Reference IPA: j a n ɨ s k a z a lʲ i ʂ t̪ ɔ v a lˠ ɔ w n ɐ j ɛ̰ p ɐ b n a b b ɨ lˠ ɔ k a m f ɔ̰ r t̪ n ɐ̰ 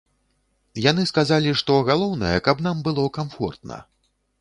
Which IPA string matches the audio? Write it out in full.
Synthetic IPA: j a n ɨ s k a z a lʲ i ʂ t̪ ɔ ɣ a lˠ ɔ w n ɐ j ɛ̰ k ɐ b n a m b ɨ lˠ ɔ k a m f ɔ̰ r t̪ n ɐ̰